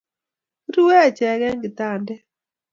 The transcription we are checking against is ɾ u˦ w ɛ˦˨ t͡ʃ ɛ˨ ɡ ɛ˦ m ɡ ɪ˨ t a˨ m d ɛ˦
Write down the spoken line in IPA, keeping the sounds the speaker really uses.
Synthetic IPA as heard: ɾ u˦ w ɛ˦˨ t͡ʃ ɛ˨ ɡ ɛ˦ ŋ ɡ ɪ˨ t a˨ n d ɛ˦